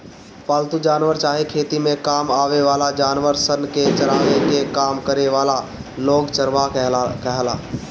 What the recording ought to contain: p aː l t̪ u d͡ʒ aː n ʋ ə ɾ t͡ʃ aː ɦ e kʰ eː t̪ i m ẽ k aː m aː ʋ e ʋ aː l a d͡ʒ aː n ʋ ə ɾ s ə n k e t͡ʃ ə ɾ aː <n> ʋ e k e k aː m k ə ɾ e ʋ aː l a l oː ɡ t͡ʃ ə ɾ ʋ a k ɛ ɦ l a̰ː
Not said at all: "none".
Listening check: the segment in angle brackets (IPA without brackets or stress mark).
none